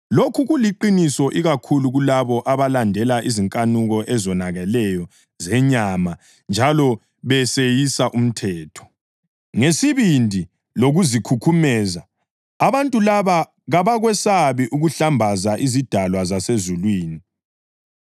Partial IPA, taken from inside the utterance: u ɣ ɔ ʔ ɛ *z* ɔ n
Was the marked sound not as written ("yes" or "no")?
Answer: no